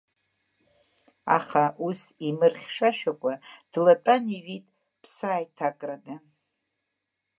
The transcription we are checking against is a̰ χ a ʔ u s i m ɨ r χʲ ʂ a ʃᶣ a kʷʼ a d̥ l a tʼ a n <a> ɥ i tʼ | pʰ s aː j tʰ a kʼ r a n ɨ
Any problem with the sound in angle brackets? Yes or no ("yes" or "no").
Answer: yes